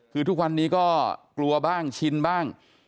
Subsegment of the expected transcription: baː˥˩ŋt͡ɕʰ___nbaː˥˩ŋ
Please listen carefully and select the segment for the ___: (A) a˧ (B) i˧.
B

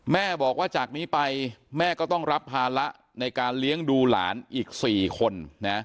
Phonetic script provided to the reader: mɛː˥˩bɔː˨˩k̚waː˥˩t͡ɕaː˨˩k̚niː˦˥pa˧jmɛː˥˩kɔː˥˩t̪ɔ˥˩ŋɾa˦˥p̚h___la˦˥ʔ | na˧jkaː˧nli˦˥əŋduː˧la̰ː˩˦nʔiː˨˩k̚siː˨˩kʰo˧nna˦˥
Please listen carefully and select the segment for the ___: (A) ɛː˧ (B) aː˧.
B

